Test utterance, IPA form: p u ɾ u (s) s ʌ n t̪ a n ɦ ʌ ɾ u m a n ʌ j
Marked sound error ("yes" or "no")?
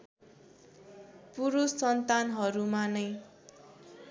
no